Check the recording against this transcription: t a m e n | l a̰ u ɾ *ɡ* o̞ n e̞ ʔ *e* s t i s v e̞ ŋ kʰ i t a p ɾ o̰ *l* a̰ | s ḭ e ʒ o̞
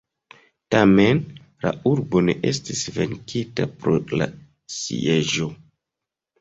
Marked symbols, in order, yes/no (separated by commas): no, yes, yes